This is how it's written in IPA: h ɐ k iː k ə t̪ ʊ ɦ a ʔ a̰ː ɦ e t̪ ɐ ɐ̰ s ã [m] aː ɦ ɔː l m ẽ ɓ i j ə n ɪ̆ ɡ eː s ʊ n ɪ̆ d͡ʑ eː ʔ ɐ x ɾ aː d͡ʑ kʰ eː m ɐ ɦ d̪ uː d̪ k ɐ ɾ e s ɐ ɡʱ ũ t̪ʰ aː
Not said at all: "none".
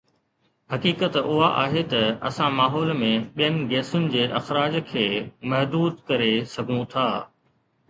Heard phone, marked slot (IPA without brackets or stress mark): m